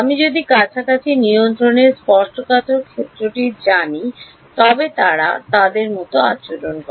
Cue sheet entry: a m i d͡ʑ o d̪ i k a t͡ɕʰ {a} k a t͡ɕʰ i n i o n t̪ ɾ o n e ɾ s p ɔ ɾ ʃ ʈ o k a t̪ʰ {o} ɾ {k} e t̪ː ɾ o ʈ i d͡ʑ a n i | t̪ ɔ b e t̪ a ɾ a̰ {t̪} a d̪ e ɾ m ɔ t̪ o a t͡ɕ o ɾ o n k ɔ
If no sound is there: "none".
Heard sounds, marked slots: a, o, kʰ, t̪

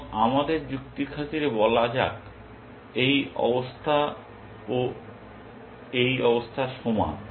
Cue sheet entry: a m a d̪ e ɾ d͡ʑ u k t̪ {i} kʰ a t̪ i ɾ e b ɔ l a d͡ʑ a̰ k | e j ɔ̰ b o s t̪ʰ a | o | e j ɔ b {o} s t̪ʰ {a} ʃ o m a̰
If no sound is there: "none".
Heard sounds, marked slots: i, o, a

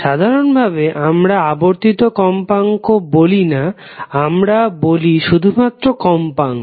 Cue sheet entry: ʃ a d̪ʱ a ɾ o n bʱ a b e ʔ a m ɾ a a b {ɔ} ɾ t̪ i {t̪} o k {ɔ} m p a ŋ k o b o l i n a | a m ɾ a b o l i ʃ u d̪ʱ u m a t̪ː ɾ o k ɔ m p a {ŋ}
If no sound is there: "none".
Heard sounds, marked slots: o, t̪, ɔ, ŋ

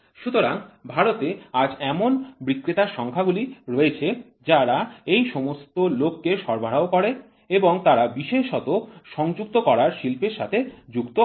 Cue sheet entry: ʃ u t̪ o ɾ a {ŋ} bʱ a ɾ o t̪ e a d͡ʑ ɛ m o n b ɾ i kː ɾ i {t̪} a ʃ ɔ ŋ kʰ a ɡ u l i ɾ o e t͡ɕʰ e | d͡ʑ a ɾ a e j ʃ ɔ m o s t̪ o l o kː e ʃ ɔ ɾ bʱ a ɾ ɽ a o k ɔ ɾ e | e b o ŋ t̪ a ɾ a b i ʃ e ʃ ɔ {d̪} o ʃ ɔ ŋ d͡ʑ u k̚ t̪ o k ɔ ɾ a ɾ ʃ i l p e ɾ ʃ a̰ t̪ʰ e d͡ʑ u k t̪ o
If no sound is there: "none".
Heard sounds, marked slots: ŋ, t̪, t̪

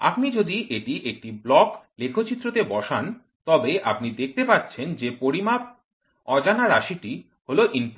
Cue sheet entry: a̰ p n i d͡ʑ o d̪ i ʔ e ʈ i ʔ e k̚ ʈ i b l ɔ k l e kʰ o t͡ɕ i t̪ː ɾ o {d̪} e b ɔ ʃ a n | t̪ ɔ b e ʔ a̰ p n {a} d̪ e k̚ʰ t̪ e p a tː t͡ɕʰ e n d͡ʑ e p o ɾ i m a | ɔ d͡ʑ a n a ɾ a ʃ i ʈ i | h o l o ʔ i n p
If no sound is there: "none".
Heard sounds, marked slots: t̪, i

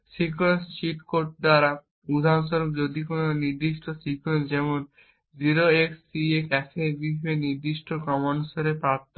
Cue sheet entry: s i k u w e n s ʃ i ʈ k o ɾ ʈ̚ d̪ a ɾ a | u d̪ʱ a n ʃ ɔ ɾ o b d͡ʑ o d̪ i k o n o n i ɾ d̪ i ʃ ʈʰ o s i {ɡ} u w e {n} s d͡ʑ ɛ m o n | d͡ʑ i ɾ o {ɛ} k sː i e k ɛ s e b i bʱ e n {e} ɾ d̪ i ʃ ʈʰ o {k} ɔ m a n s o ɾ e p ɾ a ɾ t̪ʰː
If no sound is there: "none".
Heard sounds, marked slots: k, n, e, i, k

